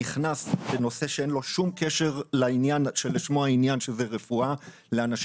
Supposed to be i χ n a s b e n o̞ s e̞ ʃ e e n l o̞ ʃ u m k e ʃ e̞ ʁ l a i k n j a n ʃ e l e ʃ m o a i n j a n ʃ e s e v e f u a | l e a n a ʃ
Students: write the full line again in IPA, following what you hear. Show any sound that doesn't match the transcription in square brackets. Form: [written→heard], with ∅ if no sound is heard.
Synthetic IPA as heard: i χ n a s b e n o̞ s e̞ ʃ e e n l o̞ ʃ u m k e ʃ e̞ ʁ l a i [k→∅] n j a n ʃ e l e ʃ m o a i n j a n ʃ e [s→z] e [v→ʁ] e f u a | l e a n a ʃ